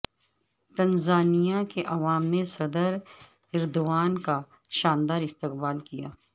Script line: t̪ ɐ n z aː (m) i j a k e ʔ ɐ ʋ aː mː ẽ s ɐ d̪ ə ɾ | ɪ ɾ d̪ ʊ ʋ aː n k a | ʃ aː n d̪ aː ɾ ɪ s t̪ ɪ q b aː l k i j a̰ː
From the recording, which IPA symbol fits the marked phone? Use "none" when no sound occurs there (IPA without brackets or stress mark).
n